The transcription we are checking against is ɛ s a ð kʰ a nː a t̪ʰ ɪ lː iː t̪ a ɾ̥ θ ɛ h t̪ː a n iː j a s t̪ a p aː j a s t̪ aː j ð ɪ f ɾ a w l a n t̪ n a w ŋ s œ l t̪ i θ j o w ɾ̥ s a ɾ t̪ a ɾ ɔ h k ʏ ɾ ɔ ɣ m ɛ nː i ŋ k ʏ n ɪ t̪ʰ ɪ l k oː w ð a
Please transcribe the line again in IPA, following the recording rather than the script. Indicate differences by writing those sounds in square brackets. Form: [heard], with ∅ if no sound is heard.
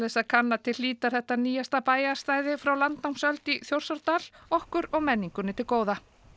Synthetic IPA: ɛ s a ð kʰ a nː a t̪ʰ ɪ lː iː t̪ a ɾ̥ θ ɛ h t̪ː a n iː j a s t̪ a p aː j a s t̪ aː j ð ɪ f ɾ a w l a n t̪ n a w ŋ s œ l t̪ i θ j o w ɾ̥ s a ɾ t̪ a [l] ɔ h k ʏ ɾ ɔ ɣ m ɛ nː i ŋ k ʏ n ɪ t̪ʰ ɪ l k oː w ð a